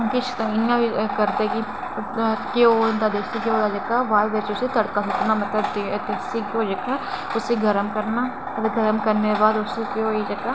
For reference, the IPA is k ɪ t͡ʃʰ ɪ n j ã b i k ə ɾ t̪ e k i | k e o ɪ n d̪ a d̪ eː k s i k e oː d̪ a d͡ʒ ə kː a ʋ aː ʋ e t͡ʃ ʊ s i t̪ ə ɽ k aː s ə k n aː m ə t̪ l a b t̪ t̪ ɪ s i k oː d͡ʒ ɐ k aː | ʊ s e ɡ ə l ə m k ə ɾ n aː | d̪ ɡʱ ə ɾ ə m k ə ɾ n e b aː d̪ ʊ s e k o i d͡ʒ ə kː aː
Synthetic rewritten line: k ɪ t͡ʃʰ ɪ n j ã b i k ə ɾ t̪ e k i | k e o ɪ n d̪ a d̪ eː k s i k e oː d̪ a d͡ʒ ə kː a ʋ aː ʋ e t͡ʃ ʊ s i t̪ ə ɽ k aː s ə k n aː m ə t̪ l ə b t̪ t̪ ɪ s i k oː d͡ʒ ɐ k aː | ʊ s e ɡ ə ɾ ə m k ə ɾ n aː | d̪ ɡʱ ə ɾ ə m k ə ɾ n e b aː d̪ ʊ s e k o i d͡ʒ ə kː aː